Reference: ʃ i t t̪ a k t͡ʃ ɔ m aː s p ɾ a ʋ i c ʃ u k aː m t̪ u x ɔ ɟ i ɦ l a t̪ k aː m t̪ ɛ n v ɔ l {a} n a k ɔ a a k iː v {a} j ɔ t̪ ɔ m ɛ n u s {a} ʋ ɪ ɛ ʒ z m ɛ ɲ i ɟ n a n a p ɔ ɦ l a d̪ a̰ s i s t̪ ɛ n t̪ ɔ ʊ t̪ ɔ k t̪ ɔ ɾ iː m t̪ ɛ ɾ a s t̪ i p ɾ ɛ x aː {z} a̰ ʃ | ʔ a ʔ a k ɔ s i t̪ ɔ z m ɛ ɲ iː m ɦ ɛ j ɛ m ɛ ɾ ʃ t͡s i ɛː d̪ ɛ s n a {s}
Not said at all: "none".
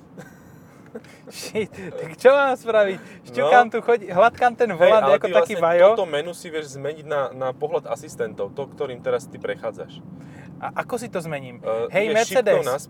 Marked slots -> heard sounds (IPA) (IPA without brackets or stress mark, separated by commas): a, a, i, d͡z, s